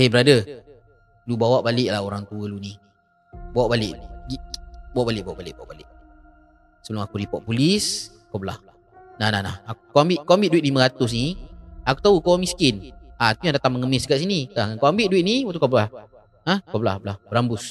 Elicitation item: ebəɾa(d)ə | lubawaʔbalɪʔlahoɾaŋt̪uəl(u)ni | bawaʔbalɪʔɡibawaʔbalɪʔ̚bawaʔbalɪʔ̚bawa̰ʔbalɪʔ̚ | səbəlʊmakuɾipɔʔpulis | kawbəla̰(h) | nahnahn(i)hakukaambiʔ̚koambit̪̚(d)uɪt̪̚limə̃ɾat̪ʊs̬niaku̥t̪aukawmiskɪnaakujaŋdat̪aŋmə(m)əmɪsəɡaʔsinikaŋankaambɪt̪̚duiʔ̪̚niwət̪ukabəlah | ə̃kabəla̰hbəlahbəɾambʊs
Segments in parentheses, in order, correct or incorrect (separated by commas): correct, correct, correct, incorrect, correct, incorrect